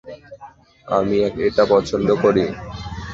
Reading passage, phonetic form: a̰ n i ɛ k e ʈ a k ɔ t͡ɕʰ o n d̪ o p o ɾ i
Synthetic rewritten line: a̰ m i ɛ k e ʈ a p ɔ t͡ɕʰ o n d̪ o k o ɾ i

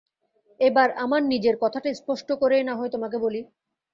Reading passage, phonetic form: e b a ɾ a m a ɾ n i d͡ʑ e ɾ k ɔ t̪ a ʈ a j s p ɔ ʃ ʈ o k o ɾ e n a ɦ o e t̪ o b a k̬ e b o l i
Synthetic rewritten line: e b a ɾ a m a ɾ n i d͡ʑ e ɾ k ɔ t̪ʰ a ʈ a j s p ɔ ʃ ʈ o k o ɾ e n a ɦ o e t̪ o m a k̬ e b o l i

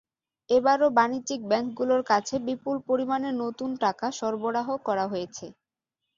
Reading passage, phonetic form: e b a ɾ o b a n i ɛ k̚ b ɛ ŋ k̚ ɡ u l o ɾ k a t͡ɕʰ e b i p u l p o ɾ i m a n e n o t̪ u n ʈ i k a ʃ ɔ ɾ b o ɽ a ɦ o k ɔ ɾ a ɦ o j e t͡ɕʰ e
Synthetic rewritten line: e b a ɾ o b a n i i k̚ b ɛ ŋ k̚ ɡ u l o ɾ k a t͡ɕʰ e b i p u l p o ɾ i m a n e n o t̪ u n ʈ a k a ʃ ɔ ɾ b o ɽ a ɦ o k ɔ ɾ a ɦ o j e t͡ɕʰ e

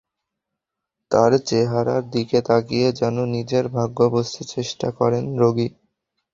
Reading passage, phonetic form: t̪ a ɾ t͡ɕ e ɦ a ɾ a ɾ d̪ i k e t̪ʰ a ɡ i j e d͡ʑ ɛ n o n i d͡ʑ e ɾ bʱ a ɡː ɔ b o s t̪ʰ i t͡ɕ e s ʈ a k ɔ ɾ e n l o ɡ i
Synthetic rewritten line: t̪ a ɾ t͡ɕ e ɦ a ɾ a ɾ d̪ i k e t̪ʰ a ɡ i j e d͡ʑ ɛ n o n i d͡ʑ e ɾ bʱ a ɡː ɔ b o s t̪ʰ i t͡ɕ e ʃ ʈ a k ɔ ɾ e n ɾ o ɡ i

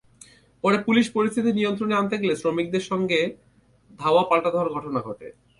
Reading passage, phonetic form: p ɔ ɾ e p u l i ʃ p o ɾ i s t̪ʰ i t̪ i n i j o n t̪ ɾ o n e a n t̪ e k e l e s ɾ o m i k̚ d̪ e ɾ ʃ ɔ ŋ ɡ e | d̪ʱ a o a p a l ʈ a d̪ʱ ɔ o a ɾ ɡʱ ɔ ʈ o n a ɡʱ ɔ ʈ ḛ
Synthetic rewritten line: p ɔ ɾ e p u l i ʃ p o ɾ i s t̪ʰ i t̪ i n i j o n t̪ ɾ o n e a n t̪ e ɡ e l e s ɾ o m i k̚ d̪ e ɾ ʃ ɔ ŋ ɡ e | d̪ʱ a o a p a l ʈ a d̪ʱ ɔ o a ɾ ɡʱ ɔ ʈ o n a ɡʱ ɔ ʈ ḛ

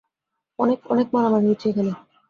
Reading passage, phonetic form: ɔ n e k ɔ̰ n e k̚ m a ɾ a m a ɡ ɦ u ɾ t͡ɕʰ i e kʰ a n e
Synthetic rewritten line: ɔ n e k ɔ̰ n e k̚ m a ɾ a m a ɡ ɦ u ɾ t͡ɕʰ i e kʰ a n e

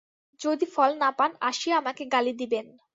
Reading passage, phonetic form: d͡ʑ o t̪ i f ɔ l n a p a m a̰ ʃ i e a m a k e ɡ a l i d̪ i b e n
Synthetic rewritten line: d͡ʑ o d̪ i f ɔ l n a p a n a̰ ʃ i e a m a k e ɡ a l i d̪ i b e n

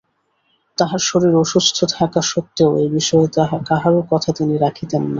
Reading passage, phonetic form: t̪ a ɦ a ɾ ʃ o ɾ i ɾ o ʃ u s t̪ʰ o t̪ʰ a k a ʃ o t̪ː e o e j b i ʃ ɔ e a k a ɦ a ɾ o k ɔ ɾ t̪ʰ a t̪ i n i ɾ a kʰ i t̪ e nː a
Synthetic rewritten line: t̪ a ɦ a ɾ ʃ o ɾ i ɾ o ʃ u s t̪ʰ o t̪ʰ a k a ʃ o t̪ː e o e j b i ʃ ɔ e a k a ɦ a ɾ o k ɔ t̪ʰ a t̪ i n i ɾ a kʰ i t̪ e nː a

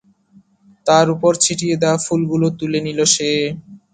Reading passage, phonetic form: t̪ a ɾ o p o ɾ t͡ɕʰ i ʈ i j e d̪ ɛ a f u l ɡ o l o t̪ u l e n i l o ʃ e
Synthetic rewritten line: t̪ a ɾ u p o ɾ t͡ɕʰ i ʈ i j e d̪ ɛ a f u l ɡ u l o t̪ u l e n i l o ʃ e

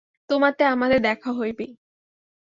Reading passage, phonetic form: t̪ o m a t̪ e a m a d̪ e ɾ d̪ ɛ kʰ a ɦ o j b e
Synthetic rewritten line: t̪ o m a t̪ e a m a d̪ e ɾ d̪ ɛ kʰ a ɦ o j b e

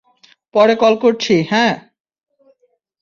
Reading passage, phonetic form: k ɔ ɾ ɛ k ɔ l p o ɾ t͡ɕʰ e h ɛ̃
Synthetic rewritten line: p ɔ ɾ e k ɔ l k o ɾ t͡ɕʰ i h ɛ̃

